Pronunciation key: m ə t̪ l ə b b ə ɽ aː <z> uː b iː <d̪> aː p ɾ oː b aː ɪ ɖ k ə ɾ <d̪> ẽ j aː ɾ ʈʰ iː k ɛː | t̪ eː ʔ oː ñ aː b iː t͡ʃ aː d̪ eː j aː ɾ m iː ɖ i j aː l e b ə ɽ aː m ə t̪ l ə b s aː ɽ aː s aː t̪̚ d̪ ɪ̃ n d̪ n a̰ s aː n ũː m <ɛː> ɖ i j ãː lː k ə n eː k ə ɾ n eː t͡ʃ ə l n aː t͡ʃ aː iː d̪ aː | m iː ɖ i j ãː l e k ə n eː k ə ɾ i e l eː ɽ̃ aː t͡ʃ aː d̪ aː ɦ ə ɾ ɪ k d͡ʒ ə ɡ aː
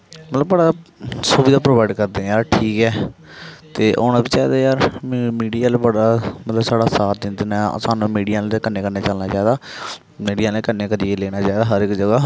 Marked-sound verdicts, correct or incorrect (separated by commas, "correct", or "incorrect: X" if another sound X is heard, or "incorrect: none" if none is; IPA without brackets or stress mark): incorrect: s, correct, correct, incorrect: iː